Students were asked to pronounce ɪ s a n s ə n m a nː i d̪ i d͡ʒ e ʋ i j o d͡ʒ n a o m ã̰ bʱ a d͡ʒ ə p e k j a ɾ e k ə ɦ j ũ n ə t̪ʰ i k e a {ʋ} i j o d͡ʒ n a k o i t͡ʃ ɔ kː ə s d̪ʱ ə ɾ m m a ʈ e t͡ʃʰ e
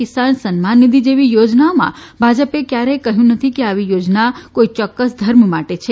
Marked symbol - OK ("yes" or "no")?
yes